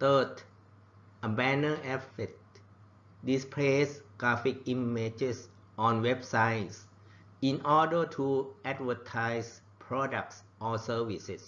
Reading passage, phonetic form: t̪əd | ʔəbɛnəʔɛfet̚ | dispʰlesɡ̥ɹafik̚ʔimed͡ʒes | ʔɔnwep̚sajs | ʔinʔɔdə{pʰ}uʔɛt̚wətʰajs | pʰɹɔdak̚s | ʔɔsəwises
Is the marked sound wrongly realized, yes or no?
yes